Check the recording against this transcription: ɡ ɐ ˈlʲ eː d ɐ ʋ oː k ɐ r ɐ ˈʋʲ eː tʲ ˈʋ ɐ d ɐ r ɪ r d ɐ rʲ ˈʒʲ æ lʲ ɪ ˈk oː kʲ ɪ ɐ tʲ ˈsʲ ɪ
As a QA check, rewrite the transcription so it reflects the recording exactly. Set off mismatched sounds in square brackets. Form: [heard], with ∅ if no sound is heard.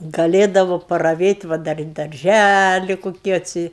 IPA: ɡ ɐ ˈlʲ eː d ɐ ʋ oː [p] ɐ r ɐ ˈʋʲ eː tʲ ˈʋ ɐ d ɐ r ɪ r d ɐ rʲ ˈʒʲ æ lʲ ɪ ˈk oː kʲ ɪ ɐ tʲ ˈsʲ ɪ